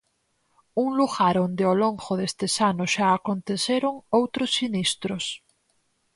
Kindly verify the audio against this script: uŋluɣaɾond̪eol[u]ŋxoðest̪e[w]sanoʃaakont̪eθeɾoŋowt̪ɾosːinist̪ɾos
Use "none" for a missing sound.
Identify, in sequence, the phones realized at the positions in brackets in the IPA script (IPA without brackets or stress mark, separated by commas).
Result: o, none